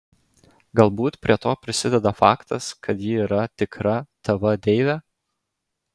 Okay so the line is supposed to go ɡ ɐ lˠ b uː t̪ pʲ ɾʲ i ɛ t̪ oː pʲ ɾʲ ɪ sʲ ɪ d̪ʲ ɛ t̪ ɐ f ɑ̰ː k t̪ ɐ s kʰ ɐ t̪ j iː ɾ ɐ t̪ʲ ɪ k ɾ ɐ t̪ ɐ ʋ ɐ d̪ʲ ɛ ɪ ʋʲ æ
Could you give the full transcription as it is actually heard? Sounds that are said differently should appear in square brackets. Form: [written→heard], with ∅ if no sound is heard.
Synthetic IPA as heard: ɡ ɐ lˠ b uː t̪ pʲ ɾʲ i ɛ t̪ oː pʲ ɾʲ ɪ sʲ ɪ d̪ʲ ɛ [t̪→d̪] ɐ f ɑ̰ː k t̪ ɐ s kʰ ɐ t̪ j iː ɾ ɐ t̪ʲ ɪ k ɾ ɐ t̪ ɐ ʋ ɐ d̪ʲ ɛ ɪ ʋʲ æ